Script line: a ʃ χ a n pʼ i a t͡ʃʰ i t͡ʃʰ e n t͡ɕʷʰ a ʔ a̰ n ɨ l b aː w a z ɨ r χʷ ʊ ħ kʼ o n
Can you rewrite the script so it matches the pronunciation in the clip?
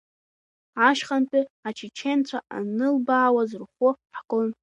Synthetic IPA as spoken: a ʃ χ a n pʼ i a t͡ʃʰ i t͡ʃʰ e n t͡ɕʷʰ a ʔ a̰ n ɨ l b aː w a z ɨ r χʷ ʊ ħ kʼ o n